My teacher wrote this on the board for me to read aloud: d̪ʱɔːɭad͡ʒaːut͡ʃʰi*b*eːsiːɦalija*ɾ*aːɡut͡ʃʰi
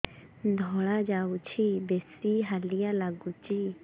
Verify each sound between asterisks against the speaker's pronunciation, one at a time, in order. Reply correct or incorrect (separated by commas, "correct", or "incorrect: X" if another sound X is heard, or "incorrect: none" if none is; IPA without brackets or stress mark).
correct, incorrect: l